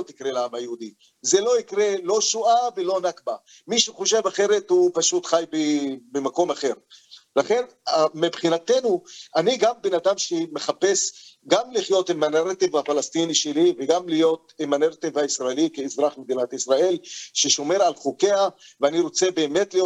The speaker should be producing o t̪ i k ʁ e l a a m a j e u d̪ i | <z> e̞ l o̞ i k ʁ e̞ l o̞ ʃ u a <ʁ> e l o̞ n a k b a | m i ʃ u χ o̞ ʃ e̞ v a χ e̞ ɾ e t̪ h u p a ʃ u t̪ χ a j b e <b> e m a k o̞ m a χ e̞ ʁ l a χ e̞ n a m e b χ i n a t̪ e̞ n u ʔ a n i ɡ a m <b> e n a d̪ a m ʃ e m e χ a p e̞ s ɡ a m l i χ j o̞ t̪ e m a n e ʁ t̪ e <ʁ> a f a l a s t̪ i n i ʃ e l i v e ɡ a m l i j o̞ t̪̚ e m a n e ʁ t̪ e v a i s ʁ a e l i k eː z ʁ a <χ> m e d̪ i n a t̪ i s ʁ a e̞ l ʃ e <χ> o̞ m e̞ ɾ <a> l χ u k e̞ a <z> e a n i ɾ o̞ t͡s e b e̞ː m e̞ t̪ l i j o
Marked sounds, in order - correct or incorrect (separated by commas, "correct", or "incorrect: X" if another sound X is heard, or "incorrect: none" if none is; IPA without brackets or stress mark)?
correct, incorrect: v, correct, correct, incorrect: v, correct, incorrect: ʃ, correct, incorrect: v